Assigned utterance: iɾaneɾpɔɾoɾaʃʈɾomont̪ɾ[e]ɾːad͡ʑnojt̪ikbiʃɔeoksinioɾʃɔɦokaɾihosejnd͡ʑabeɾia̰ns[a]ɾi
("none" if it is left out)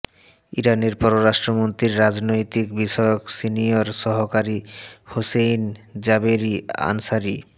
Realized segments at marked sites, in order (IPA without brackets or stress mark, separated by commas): i, a